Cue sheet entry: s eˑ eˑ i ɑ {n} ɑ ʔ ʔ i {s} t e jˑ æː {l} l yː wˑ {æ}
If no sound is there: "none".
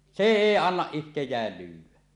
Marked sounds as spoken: nː, h, l, æ

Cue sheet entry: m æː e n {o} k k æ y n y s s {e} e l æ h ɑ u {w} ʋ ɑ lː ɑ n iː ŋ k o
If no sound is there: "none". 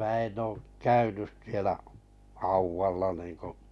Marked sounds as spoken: oː, i, w

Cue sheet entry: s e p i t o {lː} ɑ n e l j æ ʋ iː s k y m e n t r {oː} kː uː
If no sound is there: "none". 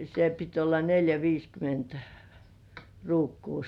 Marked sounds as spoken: lː, uː

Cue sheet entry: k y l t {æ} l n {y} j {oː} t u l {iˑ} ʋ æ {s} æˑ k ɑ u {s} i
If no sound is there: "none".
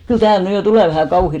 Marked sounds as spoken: æː, y, o, eˑ, h, h

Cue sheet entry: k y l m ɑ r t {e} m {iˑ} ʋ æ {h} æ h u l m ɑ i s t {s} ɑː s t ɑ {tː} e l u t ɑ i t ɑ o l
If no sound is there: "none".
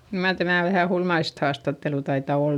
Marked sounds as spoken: æ, æˑ, h, h, tː

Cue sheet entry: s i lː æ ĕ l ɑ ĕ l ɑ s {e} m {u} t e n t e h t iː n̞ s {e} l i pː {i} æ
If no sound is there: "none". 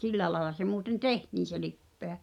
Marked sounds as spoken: e, uː, e, e

